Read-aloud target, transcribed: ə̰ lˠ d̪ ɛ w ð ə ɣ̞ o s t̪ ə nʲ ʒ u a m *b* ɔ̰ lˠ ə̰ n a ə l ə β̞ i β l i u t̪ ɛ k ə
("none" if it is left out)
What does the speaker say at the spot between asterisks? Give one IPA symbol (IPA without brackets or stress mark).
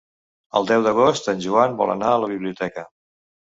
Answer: b